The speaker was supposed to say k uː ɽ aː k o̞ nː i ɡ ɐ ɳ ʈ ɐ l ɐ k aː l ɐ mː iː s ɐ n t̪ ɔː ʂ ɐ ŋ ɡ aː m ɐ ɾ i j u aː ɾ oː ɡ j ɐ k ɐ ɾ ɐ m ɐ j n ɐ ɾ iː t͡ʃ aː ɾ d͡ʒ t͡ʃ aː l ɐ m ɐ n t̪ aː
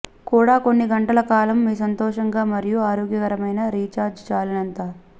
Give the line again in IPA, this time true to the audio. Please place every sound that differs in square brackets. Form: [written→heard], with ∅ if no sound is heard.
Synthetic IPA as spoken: k uː ɽ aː k o̞ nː i ɡ ɐ ɳ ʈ ɐ l ɐ k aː l ɐ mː iː s ɐ n t̪ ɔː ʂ ɐ ŋ ɡ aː m ɐ ɾ i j u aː ɾ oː ɡ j ɐ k ɐ ɾ ɐ m ɐ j n ɐ ɾ iː t͡ʃ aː ɾ d͡ʒ t͡ʃ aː l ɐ [m→n] ɐ n t̪ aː